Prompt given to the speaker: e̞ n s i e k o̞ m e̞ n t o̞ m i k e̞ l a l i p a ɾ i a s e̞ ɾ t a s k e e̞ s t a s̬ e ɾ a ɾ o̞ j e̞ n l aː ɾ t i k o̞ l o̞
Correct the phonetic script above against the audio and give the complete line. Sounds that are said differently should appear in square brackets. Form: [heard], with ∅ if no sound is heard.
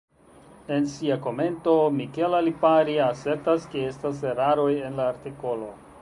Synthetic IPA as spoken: e̞ n s i [a] k o̞ m e̞ n t o̞ m i k e̞ l a l i p a ɾ i a s e̞ ɾ t a s k e e̞ s t a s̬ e ɾ a ɾ o̞ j e̞ n l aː ɾ t i k o̞ l o̞